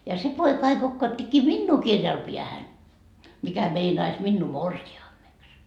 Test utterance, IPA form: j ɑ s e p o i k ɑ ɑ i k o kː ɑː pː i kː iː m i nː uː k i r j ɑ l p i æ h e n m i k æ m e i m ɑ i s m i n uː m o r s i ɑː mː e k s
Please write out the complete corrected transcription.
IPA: j ɑ s e p o i k ɑ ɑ i k o kː ɑː tː i kː iː m i nː uː k i r j ɑ l p i æ h æ n m i k æ m e i n ɑ i s m i nː uː m o r s i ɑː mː e k s